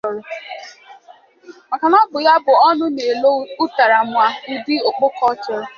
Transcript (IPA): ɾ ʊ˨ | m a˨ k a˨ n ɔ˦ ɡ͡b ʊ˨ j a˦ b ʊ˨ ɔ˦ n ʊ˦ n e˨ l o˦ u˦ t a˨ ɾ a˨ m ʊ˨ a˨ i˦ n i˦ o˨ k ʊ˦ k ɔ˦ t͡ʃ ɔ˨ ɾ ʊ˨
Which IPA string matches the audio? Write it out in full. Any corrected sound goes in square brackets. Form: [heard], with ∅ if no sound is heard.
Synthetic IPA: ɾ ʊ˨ | m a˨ k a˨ n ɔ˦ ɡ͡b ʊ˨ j a˦ b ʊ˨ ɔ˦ n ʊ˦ n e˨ l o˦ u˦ t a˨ ɾ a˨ m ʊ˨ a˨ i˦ [d] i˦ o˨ [k͡p] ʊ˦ k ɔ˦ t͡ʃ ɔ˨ ɾ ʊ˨